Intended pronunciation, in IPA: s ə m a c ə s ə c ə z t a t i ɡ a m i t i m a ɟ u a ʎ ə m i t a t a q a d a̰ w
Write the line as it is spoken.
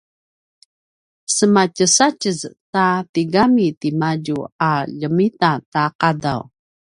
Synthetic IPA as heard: s ə m a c ə s a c ə z t a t i ɡ a m i t i m a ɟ u a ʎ ə m i t a t a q a d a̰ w